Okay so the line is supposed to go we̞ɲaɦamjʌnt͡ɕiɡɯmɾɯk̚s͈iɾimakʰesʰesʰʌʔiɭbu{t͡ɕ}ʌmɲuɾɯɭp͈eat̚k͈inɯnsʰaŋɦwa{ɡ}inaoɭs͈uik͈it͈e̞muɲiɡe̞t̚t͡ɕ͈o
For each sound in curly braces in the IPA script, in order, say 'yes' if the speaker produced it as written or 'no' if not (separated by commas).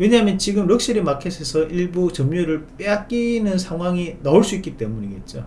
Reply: yes, no